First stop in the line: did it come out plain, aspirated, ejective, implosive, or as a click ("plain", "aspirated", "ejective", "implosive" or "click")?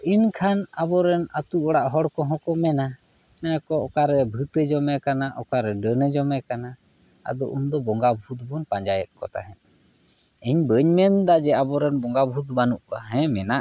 aspirated